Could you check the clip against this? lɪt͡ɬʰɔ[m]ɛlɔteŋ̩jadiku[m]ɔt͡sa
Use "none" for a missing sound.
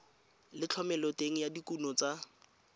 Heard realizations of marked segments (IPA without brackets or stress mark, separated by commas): m, n